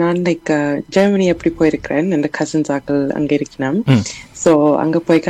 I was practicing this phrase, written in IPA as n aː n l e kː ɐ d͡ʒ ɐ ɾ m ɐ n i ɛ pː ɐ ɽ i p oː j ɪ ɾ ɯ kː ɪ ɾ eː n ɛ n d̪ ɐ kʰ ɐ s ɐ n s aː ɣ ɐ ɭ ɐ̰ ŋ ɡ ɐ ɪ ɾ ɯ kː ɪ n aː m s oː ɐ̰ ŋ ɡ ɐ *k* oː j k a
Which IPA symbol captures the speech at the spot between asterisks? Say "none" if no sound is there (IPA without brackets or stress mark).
p